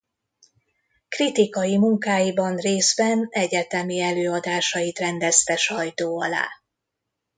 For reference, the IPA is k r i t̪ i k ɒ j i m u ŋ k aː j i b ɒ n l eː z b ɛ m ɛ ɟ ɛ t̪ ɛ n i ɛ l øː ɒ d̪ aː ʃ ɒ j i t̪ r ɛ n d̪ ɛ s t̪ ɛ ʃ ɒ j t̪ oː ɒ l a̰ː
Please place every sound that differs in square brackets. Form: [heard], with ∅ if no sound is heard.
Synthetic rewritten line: k r i t̪ i k ɒ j i m u ŋ k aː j i b ɒ n [r] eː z b ɛ [n] ɛ ɟ ɛ t̪ ɛ [m] i ɛ l øː ɒ d̪ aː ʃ ɒ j i t̪ r ɛ n d̪ ɛ s t̪ ɛ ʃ ɒ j t̪ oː ɒ l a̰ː

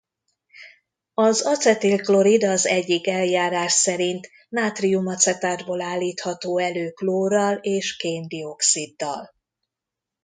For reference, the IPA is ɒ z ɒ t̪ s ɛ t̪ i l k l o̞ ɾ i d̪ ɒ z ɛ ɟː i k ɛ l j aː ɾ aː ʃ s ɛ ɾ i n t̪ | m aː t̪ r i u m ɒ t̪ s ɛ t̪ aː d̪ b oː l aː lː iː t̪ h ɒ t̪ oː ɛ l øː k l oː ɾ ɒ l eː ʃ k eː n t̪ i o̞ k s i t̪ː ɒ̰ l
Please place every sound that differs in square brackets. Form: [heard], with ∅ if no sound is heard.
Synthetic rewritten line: ɒ z ɒ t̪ s ɛ t̪ i l k l o̞ ɾ i d̪ ɒ z ɛ ɟː i k ɛ l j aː ɾ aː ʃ s ɛ ɾ i n t̪ | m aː t̪ r i u m ɒ t̪ s ɛ t̪ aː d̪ b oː l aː lː iː t̪ h ɒ t̪ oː ɛ l øː k l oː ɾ ɒ l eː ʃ k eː n [d̪] i o̞ k s i [d̪ː] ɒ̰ l

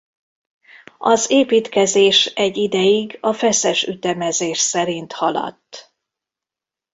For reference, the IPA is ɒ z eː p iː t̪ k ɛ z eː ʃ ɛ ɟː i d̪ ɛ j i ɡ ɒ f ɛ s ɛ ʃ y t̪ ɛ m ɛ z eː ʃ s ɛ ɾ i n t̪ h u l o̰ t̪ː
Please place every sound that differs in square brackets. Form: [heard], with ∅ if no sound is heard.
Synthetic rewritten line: ɒ z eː p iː t̪ k ɛ z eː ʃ ɛ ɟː i d̪ ɛ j i ɡ ɒ f ɛ s ɛ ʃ y t̪ ɛ m ɛ z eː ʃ s ɛ ɾ i n t̪ h [ɒ] l [ɒ̰] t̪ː

